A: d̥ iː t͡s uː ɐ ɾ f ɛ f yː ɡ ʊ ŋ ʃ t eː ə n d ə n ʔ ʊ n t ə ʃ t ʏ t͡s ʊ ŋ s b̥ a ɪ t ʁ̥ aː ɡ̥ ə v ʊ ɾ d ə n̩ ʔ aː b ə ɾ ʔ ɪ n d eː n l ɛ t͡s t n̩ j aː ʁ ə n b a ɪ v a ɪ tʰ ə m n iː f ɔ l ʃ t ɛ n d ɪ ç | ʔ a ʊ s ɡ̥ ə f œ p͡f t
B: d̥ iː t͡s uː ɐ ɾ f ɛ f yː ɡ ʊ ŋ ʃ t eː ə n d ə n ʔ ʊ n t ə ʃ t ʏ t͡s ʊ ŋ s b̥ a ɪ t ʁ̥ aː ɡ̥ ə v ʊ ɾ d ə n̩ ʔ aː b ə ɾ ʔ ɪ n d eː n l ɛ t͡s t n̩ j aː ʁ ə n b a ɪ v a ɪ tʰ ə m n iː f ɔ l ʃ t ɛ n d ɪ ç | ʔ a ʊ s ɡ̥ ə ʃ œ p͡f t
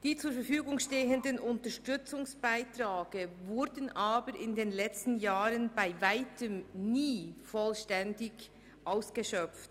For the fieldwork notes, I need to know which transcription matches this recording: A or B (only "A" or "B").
B